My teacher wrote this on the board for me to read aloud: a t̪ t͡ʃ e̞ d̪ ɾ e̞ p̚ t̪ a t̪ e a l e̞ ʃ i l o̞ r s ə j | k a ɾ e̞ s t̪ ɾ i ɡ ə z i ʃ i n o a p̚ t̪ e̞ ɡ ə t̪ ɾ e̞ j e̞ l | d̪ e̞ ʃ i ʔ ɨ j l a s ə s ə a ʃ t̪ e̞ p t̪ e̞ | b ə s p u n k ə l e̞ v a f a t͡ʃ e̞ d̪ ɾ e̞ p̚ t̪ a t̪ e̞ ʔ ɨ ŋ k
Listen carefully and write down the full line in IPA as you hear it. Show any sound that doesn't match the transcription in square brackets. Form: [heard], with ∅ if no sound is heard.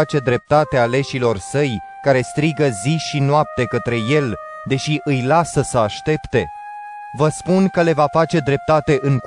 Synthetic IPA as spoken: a [∅] t͡ʃ e̞ d̪ ɾ e̞ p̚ t̪ a t̪ e a l e̞ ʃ i l o̞ r s ə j | k a ɾ e̞ s t̪ ɾ i ɡ ə z i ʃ i n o a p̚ t̪ e̞ [k] ə t̪ ɾ e̞ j e̞ l | d̪ e̞ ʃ i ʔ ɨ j l a s ə s ə a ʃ t̪ e̞ p t̪ e̞ | [v] ə s p u n k ə l e̞ v a f a t͡ʃ e̞ d̪ ɾ e̞ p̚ t̪ a t̪ e̞ ʔ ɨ ŋ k